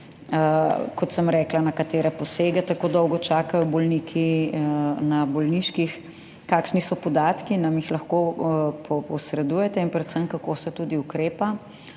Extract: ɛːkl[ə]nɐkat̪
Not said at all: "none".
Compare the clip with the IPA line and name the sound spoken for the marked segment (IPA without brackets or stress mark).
a